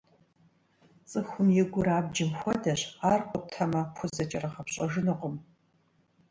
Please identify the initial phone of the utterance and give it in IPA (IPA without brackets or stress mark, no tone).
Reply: t͡sʼ